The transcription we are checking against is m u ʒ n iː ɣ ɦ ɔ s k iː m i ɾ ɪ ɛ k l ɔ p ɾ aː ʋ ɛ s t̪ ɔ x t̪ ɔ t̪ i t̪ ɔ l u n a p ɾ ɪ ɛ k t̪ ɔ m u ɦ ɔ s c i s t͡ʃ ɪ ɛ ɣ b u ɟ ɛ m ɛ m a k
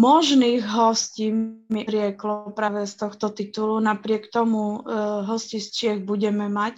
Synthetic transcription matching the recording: m ɔ ʒ n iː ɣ ɦ ɔ s c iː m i ɾ ɪ ɛ k l ɔ p ɾ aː ʋ ɛ s t̪ ɔ x t̪ ɔ t̪ i t̪ u l u n a p ɾ ɪ ɛ k t̪ ɔ m u ɦ ɔ s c i s t͡ʃ ɪ ɛ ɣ b u ɟ ɛ m ɛ m a c